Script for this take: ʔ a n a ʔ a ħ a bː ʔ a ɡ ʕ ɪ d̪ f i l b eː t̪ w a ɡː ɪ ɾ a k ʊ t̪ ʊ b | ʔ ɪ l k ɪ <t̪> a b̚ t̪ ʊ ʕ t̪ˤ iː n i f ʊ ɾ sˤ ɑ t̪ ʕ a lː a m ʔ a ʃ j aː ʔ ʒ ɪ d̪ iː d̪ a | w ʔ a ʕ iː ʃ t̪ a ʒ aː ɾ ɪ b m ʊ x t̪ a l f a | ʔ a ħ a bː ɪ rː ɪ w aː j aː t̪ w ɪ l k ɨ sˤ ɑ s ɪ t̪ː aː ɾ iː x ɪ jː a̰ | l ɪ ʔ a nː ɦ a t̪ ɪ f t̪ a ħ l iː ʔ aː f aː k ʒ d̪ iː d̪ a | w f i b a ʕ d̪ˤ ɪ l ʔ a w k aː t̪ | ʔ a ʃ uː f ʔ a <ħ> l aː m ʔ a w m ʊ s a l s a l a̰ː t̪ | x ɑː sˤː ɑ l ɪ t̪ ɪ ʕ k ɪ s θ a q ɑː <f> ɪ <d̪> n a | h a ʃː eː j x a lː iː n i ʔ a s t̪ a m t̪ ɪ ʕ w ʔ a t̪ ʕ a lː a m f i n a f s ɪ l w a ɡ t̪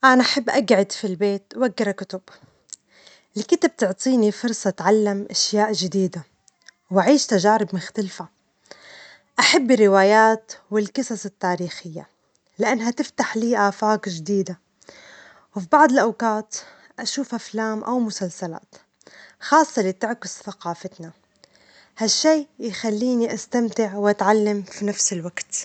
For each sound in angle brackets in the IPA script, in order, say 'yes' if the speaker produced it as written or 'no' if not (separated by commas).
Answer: yes, no, yes, no